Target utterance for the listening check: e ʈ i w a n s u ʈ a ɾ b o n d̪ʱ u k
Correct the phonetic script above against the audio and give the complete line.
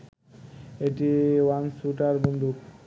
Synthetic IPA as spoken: e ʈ i w a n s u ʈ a ɾ b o n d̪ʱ u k